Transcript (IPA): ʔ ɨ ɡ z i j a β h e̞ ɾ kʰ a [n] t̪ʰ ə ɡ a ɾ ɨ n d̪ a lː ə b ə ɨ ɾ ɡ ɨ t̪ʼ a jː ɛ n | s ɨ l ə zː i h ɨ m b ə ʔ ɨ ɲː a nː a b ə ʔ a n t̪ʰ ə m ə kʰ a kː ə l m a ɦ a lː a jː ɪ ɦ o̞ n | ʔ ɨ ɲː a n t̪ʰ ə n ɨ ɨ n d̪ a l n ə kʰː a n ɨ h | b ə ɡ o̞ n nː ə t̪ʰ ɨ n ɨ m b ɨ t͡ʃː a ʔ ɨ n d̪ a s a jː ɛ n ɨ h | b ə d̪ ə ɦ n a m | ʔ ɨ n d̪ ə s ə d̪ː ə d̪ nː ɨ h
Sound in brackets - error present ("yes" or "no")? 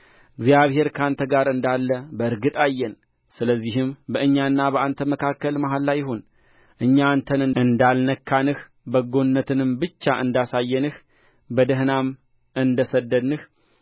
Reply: no